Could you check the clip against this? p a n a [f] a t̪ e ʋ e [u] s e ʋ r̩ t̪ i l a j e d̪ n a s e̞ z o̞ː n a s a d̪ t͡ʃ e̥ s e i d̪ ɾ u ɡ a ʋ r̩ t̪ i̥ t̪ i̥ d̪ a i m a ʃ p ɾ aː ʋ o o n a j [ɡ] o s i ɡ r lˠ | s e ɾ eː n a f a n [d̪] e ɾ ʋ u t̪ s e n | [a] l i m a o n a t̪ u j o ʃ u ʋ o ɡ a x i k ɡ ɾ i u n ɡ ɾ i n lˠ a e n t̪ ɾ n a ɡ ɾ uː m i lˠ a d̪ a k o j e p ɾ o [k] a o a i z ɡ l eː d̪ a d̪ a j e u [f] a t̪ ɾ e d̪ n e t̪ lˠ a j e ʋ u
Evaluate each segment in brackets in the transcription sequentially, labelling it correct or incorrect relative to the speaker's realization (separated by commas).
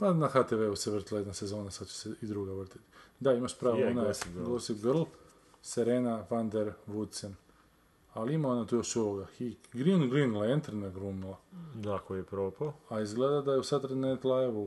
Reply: incorrect, correct, correct, correct, correct, incorrect, incorrect